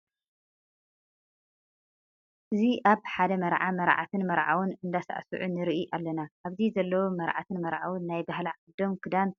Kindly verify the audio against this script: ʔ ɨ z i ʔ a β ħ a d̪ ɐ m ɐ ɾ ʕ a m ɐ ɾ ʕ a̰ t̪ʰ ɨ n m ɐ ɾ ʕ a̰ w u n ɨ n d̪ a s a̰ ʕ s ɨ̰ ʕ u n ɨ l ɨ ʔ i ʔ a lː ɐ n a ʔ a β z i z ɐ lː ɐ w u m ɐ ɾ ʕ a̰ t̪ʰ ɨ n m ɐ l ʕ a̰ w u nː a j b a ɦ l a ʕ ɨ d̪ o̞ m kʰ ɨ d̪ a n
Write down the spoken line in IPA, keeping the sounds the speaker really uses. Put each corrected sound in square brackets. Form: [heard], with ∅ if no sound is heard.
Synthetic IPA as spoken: ʔ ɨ z i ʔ a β ħ a d̪ ɐ m ɐ ɾ ʕ a m ɐ ɾ ʕ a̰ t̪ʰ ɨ n m ɐ ɾ ʕ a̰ w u n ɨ n d̪ a s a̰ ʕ s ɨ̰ ʕ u n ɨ [ɾ] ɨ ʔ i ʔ a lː ɐ n a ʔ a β z i z ɐ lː ɐ w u m ɐ ɾ ʕ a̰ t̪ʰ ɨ n m ɐ [ɾ] ʕ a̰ w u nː a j b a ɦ l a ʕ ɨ d̪ o̞ m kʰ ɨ d̪ a n